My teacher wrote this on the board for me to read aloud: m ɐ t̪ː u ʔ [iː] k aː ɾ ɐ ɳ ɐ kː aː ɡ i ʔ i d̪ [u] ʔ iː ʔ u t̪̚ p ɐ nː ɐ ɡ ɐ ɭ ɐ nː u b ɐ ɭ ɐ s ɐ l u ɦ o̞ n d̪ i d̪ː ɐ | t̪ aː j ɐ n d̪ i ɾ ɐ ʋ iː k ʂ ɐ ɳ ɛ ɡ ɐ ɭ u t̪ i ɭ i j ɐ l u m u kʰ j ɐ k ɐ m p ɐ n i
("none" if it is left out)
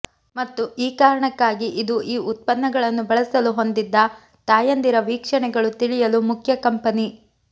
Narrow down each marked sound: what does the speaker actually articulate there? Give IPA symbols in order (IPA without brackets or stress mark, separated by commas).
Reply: iː, u